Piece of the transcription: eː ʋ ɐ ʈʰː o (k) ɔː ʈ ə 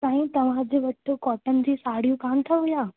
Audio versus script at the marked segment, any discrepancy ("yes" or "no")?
no